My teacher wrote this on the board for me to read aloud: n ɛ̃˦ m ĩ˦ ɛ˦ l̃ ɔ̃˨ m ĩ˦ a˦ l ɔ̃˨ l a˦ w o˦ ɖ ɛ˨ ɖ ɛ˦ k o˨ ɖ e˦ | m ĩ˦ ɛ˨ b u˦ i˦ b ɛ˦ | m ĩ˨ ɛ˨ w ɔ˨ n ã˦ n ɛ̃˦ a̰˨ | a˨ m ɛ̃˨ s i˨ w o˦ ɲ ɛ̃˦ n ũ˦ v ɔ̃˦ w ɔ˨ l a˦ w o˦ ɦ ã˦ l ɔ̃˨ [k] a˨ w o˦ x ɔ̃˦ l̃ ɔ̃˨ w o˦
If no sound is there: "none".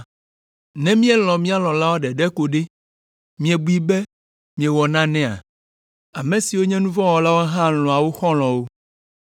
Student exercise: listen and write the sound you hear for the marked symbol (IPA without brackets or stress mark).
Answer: none